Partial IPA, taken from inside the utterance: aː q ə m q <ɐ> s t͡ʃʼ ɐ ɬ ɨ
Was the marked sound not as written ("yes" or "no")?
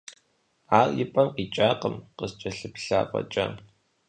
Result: yes